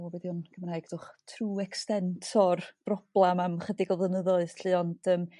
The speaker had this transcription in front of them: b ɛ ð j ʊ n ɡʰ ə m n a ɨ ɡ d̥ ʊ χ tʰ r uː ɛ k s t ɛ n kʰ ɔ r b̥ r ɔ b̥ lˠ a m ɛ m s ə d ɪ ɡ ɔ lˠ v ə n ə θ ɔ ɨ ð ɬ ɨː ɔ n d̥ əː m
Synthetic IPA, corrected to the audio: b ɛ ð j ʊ n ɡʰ ə m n a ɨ ɡ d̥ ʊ χ tʰ r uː ɛ k s t ɛ n tʰ ɔ r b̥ r ɔ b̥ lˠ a m a m χ ə d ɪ ɡ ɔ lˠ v ə n ə ð ɔ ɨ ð ɬ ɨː ɔ n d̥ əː m